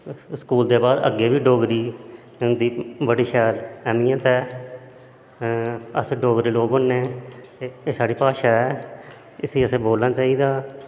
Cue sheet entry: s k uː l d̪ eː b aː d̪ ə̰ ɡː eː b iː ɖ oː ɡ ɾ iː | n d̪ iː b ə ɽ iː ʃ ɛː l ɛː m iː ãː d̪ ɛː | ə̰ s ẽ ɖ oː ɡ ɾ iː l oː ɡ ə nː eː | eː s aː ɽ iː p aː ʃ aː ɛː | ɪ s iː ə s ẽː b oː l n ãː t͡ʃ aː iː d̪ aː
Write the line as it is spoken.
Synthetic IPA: s k uː l d̪ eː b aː d̪ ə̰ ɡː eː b iː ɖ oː ɡ ɾ iː | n d̪ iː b ə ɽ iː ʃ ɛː l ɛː m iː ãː t̪ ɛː | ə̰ s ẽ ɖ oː ɡ ɾ iː l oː ɡ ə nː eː | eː s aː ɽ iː p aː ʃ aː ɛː | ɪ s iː ə s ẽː b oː l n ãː t͡ʃ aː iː d̪ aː